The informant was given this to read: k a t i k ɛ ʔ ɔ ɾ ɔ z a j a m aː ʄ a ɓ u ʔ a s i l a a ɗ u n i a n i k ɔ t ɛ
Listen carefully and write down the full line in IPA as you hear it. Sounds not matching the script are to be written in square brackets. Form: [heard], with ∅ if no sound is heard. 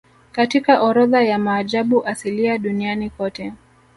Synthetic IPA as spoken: k a t i k [a] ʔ ɔ ɾ ɔ [ð] a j a m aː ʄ a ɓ u ʔ a s i l [i] a ɗ u n i a n i k ɔ t ɛ